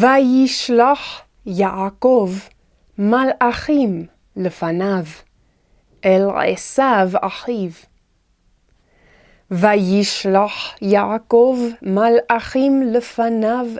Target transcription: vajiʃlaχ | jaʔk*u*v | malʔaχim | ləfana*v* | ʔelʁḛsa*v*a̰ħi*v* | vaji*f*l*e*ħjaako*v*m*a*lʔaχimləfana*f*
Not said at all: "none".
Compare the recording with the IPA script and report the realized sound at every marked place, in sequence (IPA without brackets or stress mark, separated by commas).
o, v, v, v, ʃ, a, v, a, v